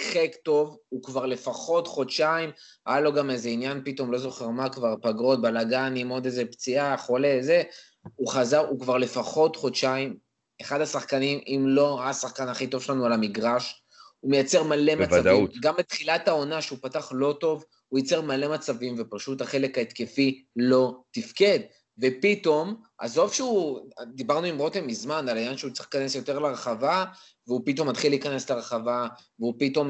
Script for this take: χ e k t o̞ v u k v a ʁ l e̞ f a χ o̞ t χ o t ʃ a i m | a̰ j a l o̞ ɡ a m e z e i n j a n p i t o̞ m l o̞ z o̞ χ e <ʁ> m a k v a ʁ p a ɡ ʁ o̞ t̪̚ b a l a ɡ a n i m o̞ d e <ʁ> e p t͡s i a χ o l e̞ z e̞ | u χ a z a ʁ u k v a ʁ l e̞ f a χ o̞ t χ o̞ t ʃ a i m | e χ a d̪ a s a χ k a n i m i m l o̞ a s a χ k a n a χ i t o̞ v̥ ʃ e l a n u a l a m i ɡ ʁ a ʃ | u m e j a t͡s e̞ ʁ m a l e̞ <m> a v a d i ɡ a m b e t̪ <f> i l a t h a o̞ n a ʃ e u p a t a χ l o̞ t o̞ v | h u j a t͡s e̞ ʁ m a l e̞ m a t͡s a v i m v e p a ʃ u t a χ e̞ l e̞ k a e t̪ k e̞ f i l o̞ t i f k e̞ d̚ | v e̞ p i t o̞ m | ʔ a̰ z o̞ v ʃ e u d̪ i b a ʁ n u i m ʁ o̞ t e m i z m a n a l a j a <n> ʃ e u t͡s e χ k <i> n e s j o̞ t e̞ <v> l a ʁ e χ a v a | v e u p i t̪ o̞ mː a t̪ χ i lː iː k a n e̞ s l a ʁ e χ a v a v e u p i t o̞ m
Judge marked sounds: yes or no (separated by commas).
yes, no, yes, no, yes, no, no